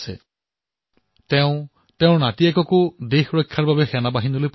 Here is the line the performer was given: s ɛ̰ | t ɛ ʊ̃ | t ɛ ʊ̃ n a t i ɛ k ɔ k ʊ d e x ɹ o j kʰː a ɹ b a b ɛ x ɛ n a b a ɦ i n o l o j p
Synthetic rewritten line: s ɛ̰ | t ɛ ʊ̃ | t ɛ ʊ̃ n a t i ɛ k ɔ k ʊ d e x ɹ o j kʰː a ɹ b a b ɛ x ɛ n a b a ɦ i n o l o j p

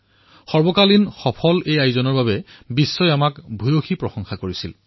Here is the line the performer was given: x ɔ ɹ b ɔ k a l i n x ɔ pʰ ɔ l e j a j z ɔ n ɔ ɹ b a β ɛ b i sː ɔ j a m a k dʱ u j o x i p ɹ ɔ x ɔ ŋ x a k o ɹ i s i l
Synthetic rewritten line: x ɔ ɹ b ɔ k a l i n x ɔ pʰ ɔ l e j a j z ɔ n ɔ ɹ b a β ɛ b i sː ɔ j a m a k bʱ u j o x i p ɹ ɔ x ɔ ŋ x a k o ɹ i s i l

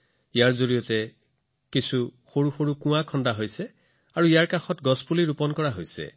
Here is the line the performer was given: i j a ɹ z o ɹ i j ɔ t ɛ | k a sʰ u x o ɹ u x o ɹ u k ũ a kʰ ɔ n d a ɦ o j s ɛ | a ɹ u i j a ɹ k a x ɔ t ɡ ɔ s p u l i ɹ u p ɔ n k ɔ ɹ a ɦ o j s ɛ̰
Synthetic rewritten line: i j a ɹ z o ɹ i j ɔ t ɛ | k i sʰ u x o ɹ u x o ɹ u k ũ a kʰ ɔ n d a ɦ o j s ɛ | a ɹ u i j a ɹ k a x ɔ t ɡ ɔ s p u l i ɹ u p ɔ n k ɔ ɹ a ɦ o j s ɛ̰

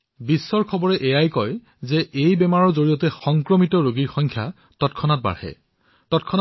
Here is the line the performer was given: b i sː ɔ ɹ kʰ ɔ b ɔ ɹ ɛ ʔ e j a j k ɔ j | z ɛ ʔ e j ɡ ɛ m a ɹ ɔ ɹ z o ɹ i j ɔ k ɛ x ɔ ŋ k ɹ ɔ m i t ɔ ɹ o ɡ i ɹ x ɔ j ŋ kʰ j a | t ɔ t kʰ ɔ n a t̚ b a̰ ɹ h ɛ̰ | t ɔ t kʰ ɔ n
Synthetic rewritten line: b i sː ɔ ɹ kʰ ɔ b ɔ ɹ ɛ ʔ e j a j k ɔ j | z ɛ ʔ e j b ɛ m a ɹ ɔ ɹ z o ɹ i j ɔ t ɛ x ɔ ŋ k ɹ ɔ m i t ɔ ɹ o ɡ i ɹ x ɔ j ŋ kʰ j a | t ɔ t kʰ ɔ n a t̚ b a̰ ɹ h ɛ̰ | t ɔ t kʰ ɔ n

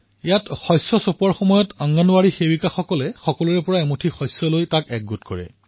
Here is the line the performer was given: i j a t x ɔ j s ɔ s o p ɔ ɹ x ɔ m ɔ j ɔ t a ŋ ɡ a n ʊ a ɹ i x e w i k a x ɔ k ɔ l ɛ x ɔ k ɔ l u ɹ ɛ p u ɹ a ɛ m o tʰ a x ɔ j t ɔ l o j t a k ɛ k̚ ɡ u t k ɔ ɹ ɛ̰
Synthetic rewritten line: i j a t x ɔ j s ɔ s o p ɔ ɹ x ɔ m ɔ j ɔ t a ŋ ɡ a n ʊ a ɹ i x e w i k a x ɔ k ɔ l ɛ x ɔ k ɔ l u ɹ ɛ p ɔ ɹ a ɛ m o tʰ i x ɔ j s ɔ l o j t a k ɛ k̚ ɡ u t k ɔ ɹ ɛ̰

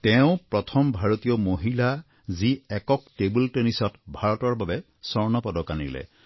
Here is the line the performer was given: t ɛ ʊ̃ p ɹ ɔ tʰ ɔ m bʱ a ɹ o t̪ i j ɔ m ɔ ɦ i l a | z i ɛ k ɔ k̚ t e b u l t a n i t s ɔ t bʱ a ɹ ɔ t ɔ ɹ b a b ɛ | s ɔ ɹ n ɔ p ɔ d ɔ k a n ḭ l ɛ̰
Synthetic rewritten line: t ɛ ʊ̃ p ɹ ɔ tʰ ɔ m bʱ a ɹ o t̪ i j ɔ m o ɦ i l a | z i ɛ k ɔ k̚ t e b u l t e n i s ɔ t bʱ a ɹ ɔ t ɔ ɹ b a b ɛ | s ɔ ɹ n ɔ p ɔ d ɔ k a n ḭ l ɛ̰

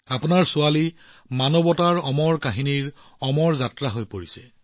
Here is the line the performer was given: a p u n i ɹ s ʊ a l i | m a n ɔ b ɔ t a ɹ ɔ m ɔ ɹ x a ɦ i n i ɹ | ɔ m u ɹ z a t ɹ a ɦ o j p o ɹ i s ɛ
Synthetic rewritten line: a p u n a ɹ s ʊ a l i | m a n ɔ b ɔ t a ɹ ɔ m ɔ ɹ k a ɦ i n i ɹ | ɔ m ɔ ɹ z a t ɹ a ɦ o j p o ɹ i s ɛ

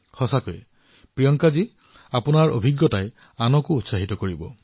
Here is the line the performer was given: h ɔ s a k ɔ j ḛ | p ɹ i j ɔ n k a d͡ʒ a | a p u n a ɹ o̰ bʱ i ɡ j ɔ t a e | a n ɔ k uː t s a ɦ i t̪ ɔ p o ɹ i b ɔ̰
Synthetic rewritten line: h ɔ s a k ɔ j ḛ | p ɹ i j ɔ ŋ k a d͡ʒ i | a p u n a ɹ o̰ bʱ i ɡ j ɔ t a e | a n ɔ k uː t s a ɦ i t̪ ɔ k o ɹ i b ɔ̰

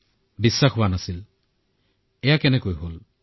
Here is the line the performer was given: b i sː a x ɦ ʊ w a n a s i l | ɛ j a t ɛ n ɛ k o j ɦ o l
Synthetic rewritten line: b i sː a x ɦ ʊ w a n a s i l | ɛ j a k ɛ n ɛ k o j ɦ o l

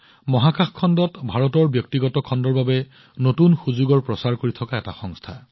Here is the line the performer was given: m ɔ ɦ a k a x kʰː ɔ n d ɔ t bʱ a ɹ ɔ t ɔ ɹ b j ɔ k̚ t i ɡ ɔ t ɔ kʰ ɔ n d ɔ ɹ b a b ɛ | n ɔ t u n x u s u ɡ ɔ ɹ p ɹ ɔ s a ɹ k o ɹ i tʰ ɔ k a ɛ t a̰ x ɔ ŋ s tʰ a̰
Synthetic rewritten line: m ɔ ɦ a k a x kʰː ɔ n d ɔ t bʱ a ɹ ɔ t ɔ ɹ b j ɔ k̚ t i ɡ ɔ t ɔ kʰ ɔ n d ɔ ɹ b a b ɛ | n o t u n x u z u ɡ ɔ ɹ p ɹ ɔ s a ɹ k o ɹ i tʰ ɔ k a ɛ t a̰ x ɔ ŋ s tʰ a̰

